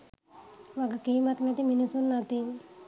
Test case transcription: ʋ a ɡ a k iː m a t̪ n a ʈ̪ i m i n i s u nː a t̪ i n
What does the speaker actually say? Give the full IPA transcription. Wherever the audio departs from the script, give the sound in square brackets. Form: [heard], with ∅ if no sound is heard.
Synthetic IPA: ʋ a ɡ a k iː m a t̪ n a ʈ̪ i m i n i s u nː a t̪ i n